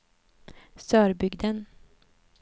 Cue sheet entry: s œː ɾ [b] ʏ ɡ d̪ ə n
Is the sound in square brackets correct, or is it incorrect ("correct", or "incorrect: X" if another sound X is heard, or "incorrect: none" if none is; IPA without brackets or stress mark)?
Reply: correct